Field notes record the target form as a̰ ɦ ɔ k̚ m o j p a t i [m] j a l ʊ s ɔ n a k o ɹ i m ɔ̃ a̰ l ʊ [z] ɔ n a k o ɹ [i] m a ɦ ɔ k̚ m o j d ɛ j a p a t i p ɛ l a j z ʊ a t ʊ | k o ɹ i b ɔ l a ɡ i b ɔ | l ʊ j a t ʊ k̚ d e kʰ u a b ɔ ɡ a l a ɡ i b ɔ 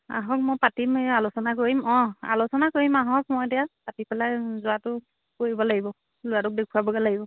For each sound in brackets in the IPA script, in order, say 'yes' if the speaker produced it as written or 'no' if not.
yes, no, yes

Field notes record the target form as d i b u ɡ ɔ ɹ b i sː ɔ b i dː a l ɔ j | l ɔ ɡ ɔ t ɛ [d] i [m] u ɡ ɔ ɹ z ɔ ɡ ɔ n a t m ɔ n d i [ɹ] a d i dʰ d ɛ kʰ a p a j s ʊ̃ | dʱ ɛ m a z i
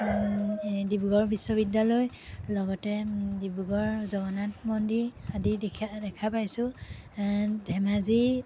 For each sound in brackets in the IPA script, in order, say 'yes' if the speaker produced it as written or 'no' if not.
yes, no, yes

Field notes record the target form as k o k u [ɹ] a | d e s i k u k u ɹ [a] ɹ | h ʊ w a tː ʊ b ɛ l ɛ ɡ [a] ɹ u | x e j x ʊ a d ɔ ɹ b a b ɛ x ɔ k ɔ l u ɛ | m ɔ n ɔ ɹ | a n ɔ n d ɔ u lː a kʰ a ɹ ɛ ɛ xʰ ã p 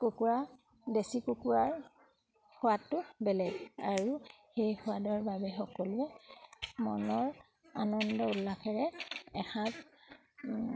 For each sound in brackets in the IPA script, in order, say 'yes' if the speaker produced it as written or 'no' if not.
yes, yes, yes

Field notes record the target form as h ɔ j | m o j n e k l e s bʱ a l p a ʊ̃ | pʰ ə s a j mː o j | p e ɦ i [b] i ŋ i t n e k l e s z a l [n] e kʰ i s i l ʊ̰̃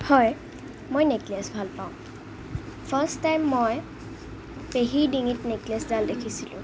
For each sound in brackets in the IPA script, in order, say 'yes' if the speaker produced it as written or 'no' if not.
no, no

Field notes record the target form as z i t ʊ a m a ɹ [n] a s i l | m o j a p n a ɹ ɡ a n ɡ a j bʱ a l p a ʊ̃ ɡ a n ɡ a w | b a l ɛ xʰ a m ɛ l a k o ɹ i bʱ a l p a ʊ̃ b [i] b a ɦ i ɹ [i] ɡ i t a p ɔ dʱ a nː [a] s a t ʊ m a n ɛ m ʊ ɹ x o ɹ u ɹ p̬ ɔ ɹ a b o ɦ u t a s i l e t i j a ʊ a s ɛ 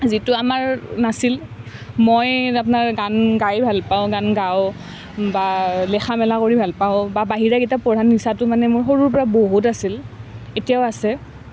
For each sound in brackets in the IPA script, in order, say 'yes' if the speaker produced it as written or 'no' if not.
yes, no, no, no

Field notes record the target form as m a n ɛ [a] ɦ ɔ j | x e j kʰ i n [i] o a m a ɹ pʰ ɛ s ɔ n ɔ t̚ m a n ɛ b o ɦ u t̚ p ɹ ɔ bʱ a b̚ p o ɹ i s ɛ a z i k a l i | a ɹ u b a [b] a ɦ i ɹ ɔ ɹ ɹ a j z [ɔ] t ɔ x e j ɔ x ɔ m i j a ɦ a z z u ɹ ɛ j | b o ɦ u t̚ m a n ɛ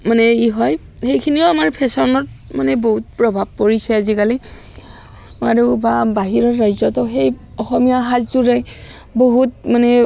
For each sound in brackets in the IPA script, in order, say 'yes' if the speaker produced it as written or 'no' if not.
no, yes, yes, yes

